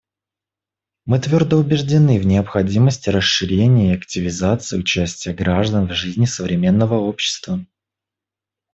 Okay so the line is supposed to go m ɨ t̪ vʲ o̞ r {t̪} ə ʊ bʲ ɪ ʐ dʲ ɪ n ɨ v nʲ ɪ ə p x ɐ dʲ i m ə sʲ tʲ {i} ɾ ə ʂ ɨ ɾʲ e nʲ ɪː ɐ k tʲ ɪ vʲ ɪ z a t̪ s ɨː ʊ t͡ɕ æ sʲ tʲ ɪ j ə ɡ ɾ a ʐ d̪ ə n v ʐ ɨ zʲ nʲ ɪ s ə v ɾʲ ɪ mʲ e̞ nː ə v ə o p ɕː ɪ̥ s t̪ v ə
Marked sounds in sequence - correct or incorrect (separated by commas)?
incorrect, incorrect